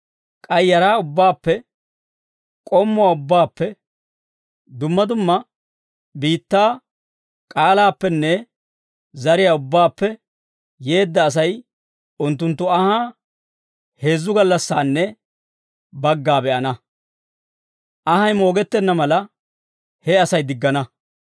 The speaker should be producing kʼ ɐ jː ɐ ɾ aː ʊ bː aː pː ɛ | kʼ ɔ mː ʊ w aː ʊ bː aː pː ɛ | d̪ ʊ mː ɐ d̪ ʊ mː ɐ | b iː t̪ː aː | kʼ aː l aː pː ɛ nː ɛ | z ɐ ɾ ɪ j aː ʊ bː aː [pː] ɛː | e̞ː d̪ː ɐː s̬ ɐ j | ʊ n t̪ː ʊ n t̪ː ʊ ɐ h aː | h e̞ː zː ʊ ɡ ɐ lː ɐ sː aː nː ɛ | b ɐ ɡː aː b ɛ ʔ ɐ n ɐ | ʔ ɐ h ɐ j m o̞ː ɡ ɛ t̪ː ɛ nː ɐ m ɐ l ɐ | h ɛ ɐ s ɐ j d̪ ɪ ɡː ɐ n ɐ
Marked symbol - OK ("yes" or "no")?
yes